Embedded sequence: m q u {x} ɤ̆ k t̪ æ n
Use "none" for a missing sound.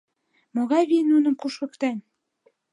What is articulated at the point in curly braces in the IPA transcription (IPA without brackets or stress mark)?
ʃ